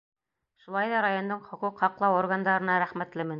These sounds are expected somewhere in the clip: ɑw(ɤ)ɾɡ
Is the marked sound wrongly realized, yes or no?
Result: yes